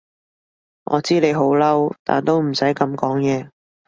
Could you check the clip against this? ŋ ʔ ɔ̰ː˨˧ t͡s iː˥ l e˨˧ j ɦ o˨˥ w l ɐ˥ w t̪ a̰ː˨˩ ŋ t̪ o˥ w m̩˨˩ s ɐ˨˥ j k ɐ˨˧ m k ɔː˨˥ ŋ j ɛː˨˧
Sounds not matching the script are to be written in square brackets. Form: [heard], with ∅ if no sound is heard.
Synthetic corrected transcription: ŋ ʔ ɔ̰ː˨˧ t͡s iː˥ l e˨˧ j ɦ o˨˥ w l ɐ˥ w t̪ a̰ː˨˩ [n] t̪ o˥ w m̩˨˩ s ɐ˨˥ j k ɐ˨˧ m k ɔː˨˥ ŋ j ɛː˨˧